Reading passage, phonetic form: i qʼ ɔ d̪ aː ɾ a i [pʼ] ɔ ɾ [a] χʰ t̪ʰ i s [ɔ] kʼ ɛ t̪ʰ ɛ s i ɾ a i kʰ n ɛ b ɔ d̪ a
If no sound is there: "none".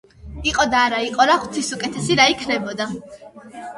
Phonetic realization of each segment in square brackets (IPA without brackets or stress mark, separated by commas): qʼ, a, u